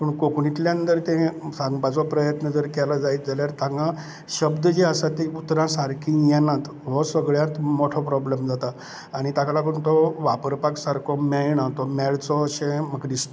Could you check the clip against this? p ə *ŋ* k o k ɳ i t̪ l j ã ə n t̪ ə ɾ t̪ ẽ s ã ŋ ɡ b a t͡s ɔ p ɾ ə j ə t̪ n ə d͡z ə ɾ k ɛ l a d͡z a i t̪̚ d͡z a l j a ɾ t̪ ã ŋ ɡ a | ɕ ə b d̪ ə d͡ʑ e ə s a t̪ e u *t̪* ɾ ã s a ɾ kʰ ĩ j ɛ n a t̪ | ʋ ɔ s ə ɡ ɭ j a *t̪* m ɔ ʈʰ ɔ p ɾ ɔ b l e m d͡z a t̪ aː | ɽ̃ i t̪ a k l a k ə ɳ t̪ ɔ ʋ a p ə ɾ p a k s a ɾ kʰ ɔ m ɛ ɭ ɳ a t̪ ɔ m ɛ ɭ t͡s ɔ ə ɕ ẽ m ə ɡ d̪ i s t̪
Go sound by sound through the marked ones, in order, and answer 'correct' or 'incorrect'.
incorrect: ɳ, correct, correct

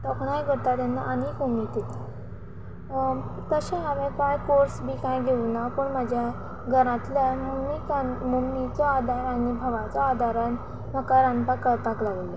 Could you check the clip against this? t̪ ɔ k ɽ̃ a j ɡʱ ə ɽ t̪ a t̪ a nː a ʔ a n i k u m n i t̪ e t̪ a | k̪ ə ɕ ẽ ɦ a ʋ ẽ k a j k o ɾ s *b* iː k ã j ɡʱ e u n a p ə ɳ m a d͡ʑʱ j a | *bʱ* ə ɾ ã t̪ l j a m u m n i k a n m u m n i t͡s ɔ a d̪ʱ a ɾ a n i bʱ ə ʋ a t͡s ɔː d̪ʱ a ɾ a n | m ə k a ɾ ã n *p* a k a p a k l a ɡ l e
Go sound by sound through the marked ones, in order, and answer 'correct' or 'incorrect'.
correct, incorrect: ɡʱ, correct

